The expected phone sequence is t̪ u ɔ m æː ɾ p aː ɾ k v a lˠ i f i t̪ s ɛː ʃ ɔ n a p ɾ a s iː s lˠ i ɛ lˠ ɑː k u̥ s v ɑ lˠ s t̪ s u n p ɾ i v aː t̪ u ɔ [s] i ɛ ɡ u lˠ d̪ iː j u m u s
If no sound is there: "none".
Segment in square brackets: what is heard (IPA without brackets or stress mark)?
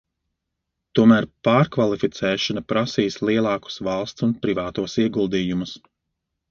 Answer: s